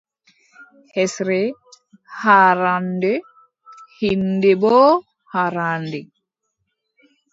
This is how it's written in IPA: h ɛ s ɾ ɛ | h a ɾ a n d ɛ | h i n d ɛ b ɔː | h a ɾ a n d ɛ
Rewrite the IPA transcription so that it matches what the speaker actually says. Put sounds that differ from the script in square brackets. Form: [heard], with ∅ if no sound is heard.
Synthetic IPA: h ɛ s ɾ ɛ | h a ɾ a n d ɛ | h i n d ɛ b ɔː | h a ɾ a n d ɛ